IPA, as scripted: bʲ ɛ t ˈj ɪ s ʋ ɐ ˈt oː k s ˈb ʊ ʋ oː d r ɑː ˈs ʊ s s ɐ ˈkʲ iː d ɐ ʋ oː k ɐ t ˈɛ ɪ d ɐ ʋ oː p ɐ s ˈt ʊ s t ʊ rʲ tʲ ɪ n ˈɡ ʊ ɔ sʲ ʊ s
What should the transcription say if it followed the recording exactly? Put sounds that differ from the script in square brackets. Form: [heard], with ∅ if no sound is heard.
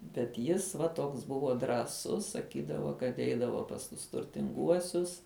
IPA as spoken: bʲ ɛ t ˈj ɪ s ʋ ɐ ˈt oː k s ˈb ʊ ʋ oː d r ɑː ˈs ʊ s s ɐ ˈkʲ iː d ɐ ʋ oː k ɐ t ˈɛ ɪ d ɐ ʋ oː p ɐ s ˈt ʊ s t ʊ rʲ tʲ ɪ [ŋ] ˈɡ [u] ɔ sʲ ʊ s